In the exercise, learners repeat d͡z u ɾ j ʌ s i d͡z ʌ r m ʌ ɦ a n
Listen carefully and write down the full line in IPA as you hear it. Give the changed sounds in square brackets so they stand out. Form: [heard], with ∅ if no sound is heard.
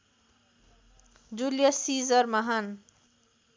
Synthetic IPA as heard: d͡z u [l] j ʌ s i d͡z ʌ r m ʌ ɦ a n